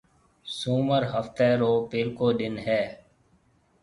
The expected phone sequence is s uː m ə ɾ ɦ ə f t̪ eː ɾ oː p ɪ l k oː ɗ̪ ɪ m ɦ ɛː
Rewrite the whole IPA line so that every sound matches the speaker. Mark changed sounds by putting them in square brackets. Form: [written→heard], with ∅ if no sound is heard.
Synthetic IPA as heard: s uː m ə ɾ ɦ ə f t̪ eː ɾ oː p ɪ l k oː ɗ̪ ɪ [m→n] ɦ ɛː